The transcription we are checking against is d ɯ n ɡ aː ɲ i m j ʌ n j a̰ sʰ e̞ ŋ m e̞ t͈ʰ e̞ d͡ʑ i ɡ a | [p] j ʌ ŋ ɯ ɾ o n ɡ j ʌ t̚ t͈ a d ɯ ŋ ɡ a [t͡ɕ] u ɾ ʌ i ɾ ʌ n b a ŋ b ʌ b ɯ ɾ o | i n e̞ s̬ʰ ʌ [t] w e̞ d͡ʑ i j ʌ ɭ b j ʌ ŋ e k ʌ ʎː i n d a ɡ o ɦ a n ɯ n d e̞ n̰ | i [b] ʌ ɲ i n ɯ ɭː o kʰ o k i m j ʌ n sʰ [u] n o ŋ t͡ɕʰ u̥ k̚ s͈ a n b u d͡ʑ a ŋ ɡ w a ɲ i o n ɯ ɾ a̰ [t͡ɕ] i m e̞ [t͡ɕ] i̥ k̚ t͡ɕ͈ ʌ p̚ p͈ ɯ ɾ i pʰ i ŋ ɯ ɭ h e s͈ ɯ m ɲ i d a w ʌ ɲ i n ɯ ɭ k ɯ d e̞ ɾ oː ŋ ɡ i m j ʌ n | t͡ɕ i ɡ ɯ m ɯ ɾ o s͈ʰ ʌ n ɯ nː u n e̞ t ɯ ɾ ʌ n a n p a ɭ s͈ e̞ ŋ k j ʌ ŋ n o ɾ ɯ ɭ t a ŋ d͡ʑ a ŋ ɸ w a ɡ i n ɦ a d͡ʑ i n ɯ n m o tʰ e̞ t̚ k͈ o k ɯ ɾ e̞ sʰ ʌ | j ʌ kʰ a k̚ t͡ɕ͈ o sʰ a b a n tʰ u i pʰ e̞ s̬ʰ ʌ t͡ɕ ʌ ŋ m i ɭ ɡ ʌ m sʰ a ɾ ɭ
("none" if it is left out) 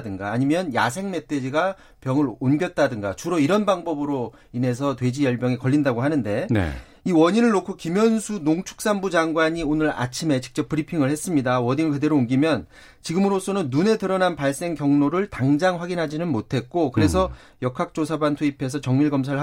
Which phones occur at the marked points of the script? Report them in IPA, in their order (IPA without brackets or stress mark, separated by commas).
p, t͡ɕ, t, w, u, t͡ɕʰ, t͡ɕ